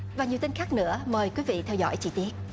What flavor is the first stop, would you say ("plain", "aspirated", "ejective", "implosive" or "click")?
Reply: plain